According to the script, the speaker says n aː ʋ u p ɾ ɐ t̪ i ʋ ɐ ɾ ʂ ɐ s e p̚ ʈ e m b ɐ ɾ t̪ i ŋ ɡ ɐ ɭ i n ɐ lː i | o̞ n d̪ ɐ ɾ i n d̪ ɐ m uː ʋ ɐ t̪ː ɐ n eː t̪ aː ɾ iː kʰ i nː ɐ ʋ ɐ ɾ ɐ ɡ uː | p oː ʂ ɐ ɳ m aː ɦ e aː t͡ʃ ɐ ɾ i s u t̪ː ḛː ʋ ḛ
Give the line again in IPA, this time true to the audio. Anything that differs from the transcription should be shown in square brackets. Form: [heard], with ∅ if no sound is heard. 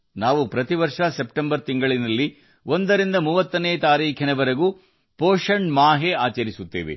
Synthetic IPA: n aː ʋ u p ɾ ɐ t̪ i ʋ ɐ ɾ ʂ ɐ s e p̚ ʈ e m b ɐ ɾ t̪ i ŋ ɡ ɐ ɭ i n ɐ lː i | o̞ n d̪ ɐ ɾ i n d̪ ɐ m uː ʋ ɐ t̪ː ɐ n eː t̪ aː ɾ iː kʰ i [n] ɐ ʋ ɐ ɾ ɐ ɡ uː | p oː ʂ ɐ ɳ m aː ɦ e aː t͡ʃ ɐ ɾ i s u t̪ː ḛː ʋ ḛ